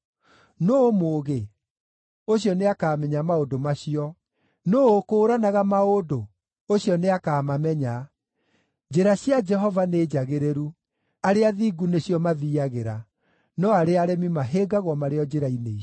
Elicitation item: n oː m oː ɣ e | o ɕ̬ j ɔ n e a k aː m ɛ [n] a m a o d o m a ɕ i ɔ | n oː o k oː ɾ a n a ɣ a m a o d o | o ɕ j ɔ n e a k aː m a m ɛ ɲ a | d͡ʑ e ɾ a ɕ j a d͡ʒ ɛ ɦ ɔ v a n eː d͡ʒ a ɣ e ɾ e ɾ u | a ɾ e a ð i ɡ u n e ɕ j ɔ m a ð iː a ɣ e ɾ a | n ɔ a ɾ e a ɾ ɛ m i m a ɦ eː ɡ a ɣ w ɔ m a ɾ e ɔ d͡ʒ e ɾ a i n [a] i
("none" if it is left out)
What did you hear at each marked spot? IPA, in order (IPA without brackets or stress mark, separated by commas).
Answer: ɲ, e